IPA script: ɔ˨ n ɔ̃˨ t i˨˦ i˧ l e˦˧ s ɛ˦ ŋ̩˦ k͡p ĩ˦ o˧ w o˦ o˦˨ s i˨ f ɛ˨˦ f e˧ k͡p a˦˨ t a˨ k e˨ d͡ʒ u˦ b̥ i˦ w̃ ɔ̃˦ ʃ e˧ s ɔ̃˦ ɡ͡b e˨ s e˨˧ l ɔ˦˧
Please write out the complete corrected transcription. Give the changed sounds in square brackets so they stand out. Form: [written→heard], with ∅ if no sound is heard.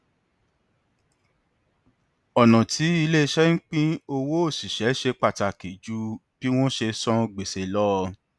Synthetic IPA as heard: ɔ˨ n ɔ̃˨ t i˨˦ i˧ l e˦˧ [s→ʃ] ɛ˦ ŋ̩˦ k͡p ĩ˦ o˧ w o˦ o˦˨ s i˨ [f→ʃ] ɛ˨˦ [f→ʃ] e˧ k͡p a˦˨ t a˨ k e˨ d͡ʒ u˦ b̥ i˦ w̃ ɔ̃˦ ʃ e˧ s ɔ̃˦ ɡ͡b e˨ s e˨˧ l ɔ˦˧

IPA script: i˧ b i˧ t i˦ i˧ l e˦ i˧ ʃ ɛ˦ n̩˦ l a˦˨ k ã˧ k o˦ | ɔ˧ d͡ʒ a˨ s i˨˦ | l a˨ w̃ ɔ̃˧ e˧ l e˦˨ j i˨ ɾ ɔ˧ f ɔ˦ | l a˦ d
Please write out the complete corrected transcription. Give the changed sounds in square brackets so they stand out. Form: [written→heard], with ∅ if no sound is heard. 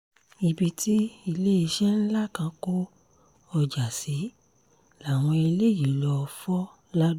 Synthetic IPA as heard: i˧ b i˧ t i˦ i˧ l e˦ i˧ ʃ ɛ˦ n̩˦ l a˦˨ k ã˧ k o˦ | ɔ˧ d͡ʒ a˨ s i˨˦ | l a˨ w̃ ɔ̃˧ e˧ l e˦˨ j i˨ [ɾ→l] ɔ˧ f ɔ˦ | l a˦ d

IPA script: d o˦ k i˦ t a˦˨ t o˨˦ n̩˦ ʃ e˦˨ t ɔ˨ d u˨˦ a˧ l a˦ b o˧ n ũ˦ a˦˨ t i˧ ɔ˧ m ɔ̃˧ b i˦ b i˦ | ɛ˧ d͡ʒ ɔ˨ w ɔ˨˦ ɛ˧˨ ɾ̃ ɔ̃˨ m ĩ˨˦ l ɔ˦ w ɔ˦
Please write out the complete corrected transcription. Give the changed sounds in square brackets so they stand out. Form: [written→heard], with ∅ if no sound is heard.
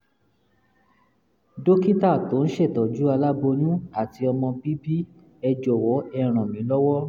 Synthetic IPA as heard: d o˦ k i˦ t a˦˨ t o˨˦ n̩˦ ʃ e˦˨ t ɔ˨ [d→d͡ʒ] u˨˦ a˧ l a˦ b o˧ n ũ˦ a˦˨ t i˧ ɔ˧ m ɔ̃˧ b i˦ b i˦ | ɛ˧ d͡ʒ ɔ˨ w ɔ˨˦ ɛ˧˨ ɾ̃ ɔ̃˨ m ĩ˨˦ l ɔ˦ w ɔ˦

